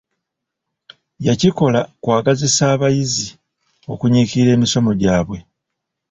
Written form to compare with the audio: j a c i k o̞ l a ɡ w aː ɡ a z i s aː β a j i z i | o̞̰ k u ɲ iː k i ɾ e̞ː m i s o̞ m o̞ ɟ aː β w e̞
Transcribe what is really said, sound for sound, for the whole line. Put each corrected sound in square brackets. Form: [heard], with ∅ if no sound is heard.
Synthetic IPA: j a c i k o̞ l a [k] w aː ɡ a z i s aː β a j i z i | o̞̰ k u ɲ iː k i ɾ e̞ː m i s o̞ m o̞ ɟ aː β w e̞